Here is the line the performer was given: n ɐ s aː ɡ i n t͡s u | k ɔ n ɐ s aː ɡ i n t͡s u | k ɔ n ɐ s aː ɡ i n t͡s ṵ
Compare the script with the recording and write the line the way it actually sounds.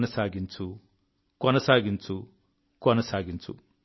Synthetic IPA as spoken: n ɐ s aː ɡ i n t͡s u | k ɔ n ɐ s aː ɡ i n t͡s u | k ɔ n ɐ s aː ɡ i n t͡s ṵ